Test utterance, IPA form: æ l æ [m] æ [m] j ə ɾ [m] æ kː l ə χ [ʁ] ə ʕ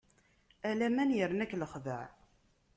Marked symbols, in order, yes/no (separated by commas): yes, no, no, no